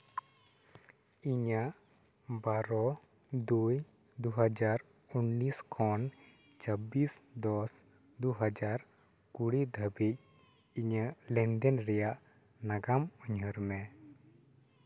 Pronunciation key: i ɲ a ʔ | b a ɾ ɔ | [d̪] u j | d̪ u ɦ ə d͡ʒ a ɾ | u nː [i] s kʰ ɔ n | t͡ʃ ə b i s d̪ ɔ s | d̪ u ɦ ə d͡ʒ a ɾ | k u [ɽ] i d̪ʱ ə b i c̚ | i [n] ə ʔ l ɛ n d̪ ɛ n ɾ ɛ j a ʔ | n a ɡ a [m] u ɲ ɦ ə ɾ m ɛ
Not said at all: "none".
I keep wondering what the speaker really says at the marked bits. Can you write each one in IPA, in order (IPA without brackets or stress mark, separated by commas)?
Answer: d̪, i, ɽ, ɲ, m